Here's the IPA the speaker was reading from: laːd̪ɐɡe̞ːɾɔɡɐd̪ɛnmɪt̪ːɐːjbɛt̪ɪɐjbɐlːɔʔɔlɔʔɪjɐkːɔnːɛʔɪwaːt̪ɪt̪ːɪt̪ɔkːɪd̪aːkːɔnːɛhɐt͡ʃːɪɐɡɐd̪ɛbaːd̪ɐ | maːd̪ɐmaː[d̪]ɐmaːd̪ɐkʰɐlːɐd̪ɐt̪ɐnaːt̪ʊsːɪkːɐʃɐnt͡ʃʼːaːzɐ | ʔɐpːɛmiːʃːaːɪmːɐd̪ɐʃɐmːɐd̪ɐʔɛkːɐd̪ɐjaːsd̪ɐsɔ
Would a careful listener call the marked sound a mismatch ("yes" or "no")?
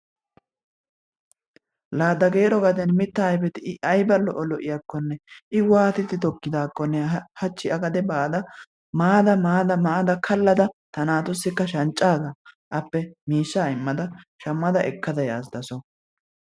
no